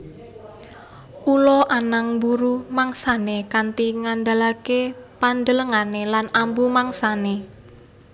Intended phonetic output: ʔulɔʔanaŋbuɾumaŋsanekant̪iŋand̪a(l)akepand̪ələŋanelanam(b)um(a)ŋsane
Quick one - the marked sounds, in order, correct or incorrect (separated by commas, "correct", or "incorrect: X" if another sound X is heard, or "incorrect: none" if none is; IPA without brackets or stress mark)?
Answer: correct, correct, correct